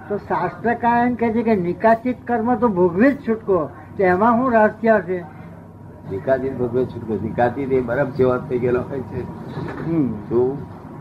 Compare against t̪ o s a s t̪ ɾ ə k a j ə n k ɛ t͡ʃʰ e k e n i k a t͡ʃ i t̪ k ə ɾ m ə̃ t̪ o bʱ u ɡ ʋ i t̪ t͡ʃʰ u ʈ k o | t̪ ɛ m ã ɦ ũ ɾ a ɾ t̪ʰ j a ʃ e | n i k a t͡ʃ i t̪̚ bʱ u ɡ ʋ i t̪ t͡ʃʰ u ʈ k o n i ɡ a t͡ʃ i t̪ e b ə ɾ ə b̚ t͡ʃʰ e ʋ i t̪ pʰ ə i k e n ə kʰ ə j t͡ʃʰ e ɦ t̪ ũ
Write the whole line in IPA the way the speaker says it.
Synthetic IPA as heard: t̪ o s a s t̪ ɾ ə k a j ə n k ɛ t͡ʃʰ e k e n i k a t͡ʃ i t̪ k ə ɾ m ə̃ t̪ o bʱ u ɡ ʋ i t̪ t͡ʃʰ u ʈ k o | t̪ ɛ m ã ɦ ũ ɾ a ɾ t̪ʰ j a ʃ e | n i k a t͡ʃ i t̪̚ bʱ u ɡ ʋ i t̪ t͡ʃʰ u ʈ k o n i k a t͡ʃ i t̪ e b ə ɾ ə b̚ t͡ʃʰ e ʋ a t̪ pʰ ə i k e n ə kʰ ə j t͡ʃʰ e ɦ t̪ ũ